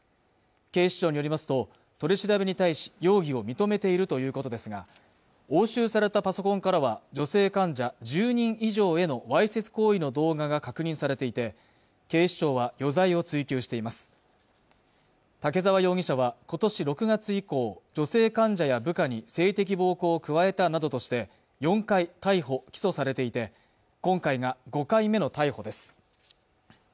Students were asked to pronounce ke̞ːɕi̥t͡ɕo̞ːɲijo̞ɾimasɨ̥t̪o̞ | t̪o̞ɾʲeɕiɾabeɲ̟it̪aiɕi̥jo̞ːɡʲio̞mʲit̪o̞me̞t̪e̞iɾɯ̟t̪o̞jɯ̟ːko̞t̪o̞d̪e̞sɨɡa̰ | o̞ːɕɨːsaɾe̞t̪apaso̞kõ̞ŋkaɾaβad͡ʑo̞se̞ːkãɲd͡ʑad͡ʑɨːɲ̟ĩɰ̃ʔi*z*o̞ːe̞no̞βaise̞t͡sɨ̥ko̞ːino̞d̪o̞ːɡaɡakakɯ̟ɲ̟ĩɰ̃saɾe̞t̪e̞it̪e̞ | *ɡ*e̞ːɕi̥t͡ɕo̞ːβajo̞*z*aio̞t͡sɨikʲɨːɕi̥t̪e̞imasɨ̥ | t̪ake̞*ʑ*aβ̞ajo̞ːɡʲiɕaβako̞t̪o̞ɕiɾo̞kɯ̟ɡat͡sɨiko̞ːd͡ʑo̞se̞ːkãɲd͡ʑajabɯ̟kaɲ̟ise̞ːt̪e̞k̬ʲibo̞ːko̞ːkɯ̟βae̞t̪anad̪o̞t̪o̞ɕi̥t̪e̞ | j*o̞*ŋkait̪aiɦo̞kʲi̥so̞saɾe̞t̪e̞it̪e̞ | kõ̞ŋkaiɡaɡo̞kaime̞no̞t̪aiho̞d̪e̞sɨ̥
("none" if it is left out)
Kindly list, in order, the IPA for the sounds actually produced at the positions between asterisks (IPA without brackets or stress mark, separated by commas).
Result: ʑ, k, z, z, õ̞